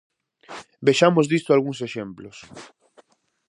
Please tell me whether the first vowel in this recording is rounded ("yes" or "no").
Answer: no